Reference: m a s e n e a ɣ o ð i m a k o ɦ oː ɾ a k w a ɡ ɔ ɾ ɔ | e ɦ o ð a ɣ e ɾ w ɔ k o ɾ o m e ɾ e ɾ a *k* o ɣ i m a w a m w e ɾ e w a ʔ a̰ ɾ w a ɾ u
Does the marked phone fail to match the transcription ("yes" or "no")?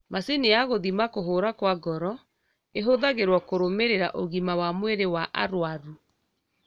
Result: yes